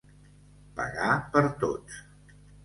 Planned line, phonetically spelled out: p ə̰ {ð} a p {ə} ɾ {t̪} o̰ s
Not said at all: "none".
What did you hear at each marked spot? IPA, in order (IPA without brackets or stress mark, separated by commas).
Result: ɣ, ə, t̪